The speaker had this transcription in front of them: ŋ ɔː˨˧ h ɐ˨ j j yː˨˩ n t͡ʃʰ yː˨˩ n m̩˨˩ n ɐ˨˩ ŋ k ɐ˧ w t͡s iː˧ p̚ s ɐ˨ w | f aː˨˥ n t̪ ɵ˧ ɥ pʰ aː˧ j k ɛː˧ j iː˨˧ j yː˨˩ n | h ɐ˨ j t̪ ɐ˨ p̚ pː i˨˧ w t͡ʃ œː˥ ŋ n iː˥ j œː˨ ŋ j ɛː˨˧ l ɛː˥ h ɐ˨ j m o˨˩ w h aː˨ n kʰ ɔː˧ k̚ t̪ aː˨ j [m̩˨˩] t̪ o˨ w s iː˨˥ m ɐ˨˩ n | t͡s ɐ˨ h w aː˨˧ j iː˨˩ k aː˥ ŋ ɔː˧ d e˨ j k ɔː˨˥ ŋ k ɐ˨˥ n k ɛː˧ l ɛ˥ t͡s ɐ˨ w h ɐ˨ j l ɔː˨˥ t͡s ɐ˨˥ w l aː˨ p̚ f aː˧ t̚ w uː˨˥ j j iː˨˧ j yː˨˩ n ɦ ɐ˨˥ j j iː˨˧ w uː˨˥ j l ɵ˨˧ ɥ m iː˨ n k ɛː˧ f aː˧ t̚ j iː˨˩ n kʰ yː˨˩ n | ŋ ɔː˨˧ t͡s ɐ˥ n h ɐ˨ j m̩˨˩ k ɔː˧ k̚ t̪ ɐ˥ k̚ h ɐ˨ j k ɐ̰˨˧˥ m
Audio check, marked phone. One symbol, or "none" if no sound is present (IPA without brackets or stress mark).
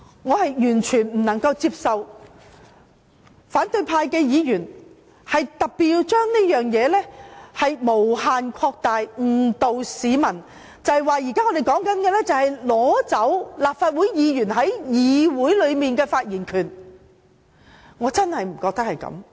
ŋ̩˨˩